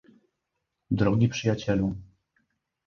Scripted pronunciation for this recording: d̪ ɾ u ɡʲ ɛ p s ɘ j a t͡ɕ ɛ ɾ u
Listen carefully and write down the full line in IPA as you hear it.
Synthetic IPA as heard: d̪ ɾ ɔ ɡʲ i p ʂ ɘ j a t͡ɕ ɛ l u